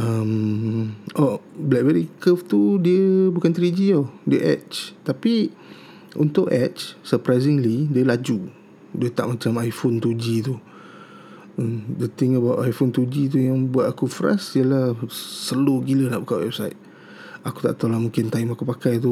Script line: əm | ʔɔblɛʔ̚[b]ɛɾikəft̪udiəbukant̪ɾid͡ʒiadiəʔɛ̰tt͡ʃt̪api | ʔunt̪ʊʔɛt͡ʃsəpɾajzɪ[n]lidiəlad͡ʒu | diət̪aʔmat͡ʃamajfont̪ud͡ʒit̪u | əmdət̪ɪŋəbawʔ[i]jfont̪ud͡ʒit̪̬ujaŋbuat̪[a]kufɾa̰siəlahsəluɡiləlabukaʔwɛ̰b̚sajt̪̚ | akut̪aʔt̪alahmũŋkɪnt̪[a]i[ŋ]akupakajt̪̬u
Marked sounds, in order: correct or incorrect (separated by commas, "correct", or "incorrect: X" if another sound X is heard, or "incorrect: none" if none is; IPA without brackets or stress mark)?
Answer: correct, incorrect: ŋ, incorrect: a, correct, correct, incorrect: m